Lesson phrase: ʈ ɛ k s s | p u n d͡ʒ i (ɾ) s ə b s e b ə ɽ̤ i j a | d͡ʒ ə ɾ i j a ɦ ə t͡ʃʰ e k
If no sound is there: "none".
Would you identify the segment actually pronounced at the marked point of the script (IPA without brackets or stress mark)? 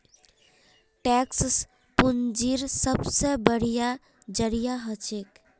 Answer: ɾ